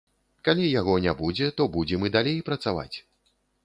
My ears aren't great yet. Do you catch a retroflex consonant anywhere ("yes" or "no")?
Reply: no